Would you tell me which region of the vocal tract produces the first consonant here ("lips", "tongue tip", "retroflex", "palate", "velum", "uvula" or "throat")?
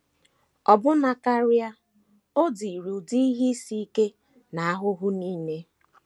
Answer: lips